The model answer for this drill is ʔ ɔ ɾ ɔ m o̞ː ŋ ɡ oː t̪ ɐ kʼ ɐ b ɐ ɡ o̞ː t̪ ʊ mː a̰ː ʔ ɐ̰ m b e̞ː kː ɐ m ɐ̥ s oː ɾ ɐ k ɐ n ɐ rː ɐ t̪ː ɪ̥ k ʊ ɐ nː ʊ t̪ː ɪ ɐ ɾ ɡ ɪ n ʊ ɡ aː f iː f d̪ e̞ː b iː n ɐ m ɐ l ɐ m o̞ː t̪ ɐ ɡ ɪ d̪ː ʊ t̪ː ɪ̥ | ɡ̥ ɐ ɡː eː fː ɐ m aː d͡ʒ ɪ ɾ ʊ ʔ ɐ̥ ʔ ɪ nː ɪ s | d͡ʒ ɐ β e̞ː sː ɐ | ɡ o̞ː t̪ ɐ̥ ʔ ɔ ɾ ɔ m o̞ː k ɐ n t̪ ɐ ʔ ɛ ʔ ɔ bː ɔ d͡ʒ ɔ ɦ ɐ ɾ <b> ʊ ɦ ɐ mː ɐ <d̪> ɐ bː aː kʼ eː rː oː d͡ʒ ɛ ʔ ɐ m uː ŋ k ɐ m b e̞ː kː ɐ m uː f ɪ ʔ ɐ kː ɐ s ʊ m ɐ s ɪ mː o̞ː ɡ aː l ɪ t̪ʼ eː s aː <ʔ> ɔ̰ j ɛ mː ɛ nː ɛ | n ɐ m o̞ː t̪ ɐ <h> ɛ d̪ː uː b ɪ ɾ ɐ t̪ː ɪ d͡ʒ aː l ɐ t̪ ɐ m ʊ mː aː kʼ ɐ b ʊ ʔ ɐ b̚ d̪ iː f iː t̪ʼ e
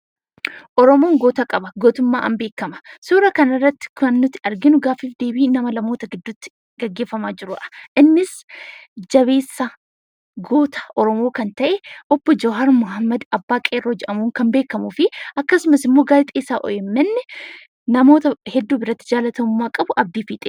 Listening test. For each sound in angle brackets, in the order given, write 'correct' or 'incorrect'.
incorrect: m, correct, correct, correct

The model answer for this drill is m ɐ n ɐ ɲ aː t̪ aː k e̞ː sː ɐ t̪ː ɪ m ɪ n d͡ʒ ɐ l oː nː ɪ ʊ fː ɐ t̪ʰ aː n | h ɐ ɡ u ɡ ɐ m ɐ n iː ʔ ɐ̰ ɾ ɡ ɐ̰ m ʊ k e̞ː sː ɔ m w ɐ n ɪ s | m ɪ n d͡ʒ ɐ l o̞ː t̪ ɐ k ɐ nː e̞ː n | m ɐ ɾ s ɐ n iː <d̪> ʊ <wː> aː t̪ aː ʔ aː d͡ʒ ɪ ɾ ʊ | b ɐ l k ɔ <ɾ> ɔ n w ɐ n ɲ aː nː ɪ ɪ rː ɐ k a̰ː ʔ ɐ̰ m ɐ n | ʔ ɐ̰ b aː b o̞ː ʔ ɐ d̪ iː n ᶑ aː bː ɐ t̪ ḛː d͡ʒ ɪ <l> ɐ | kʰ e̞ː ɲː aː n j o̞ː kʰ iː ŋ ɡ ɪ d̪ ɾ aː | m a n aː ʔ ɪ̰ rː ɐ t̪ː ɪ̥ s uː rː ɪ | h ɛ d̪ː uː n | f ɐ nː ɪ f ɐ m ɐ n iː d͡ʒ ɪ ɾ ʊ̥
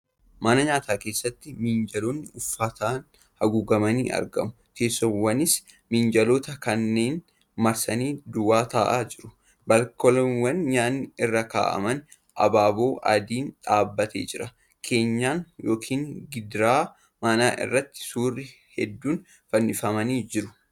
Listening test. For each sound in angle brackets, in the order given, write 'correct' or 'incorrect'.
correct, incorrect: w, incorrect: l, incorrect: ɾ

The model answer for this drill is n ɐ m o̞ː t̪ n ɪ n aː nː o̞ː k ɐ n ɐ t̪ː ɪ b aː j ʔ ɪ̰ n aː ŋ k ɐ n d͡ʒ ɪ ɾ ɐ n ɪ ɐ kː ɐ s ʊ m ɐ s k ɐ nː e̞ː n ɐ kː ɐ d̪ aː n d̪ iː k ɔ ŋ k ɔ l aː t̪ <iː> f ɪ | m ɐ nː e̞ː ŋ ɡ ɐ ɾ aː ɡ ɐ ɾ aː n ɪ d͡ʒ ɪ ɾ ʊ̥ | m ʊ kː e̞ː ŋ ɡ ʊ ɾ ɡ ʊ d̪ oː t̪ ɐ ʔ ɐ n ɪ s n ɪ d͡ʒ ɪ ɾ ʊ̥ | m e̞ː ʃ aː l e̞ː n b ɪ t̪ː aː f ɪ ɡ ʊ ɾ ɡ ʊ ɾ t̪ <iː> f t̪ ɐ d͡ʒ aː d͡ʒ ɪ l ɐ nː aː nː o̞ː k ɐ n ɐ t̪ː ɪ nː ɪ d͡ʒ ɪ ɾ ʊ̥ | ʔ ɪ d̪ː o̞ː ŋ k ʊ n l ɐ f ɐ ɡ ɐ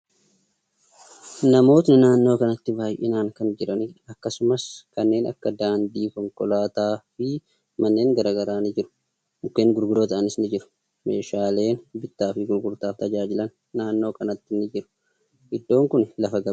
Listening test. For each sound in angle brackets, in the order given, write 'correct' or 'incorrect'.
incorrect: aː, incorrect: aː

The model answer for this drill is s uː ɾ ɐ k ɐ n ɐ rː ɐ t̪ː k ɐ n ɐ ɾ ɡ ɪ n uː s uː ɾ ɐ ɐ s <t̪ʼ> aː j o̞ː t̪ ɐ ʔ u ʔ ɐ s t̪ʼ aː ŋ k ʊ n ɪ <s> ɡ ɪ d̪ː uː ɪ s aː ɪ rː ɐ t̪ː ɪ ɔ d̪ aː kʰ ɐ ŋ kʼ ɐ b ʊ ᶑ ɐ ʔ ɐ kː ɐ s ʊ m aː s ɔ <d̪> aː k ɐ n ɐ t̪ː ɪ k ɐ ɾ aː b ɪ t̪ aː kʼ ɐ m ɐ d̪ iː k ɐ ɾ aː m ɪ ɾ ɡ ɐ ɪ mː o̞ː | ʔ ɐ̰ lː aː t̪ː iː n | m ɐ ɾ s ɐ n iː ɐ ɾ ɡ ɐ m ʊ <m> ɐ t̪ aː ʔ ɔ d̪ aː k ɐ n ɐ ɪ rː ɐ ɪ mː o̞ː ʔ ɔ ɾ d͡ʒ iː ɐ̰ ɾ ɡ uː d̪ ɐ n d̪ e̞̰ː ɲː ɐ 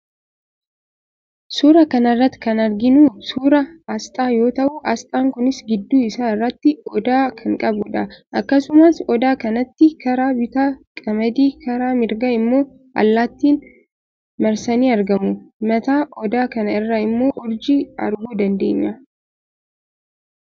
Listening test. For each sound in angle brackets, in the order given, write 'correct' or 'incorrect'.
correct, correct, correct, correct

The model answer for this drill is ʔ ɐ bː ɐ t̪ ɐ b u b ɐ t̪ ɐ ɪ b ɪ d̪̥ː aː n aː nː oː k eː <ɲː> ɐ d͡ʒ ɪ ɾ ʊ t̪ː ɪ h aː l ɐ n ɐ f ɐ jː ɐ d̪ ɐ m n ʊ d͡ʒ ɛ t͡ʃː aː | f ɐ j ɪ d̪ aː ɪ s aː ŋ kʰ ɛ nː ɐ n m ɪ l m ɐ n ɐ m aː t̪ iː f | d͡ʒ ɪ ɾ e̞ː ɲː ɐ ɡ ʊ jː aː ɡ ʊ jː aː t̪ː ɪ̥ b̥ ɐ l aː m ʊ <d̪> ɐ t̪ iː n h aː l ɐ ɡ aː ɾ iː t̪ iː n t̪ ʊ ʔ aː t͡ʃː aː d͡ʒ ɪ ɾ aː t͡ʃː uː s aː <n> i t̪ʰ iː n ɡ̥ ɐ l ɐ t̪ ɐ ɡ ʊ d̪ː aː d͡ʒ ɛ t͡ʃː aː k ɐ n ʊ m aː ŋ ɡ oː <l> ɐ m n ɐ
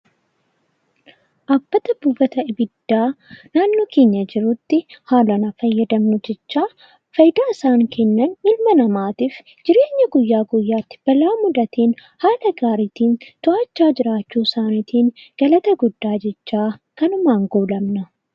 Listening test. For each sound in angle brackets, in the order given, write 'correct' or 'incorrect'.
correct, correct, correct, correct

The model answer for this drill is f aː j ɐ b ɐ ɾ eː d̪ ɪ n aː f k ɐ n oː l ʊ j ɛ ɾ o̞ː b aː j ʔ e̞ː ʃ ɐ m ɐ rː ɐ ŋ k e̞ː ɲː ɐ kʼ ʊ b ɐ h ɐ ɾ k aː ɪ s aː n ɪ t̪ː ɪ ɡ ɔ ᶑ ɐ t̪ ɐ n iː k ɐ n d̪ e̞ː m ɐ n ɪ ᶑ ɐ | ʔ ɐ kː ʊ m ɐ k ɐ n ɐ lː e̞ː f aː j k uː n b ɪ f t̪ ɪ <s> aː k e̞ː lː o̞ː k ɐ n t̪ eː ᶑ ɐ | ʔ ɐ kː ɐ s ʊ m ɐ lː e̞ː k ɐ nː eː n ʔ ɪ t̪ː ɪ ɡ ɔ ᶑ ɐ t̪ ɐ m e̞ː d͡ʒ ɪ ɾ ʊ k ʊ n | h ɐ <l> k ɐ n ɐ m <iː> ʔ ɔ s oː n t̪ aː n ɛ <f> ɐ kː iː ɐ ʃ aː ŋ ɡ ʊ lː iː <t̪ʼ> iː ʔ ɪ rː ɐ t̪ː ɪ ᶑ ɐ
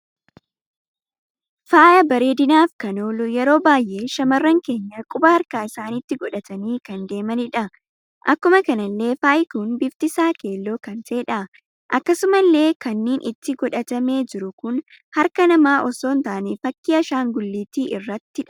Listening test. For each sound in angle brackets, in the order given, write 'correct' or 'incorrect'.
correct, incorrect: ɾ, incorrect: aː, correct, incorrect: t̪

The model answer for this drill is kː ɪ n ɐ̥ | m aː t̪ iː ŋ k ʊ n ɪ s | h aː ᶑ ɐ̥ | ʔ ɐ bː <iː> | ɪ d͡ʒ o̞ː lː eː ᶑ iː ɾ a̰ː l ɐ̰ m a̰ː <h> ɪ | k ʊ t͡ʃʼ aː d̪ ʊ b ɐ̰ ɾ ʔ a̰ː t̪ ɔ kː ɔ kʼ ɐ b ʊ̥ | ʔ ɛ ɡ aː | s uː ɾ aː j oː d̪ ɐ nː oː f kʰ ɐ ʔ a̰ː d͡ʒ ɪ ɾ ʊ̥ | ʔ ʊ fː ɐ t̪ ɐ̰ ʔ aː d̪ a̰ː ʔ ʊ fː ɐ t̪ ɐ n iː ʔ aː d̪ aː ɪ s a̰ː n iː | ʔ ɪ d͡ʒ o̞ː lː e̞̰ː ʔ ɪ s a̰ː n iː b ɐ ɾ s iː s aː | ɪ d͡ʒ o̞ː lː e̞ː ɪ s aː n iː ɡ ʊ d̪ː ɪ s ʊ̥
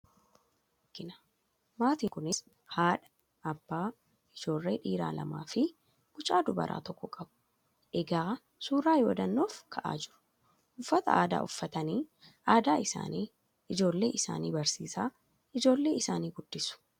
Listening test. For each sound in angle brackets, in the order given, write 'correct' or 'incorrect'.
incorrect: aː, incorrect: f

